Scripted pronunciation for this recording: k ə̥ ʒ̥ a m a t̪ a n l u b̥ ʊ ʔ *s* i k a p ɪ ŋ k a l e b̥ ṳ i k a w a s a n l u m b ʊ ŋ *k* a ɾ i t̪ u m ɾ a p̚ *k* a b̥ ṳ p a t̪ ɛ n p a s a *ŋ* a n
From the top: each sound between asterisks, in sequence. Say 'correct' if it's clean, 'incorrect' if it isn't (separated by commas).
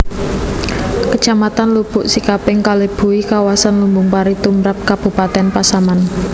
correct, incorrect, correct, incorrect